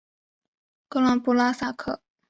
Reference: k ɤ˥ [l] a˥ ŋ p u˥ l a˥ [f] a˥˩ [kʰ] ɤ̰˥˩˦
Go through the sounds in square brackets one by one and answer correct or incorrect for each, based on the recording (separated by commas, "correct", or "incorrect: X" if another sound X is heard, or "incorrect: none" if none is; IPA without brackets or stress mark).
correct, incorrect: s, correct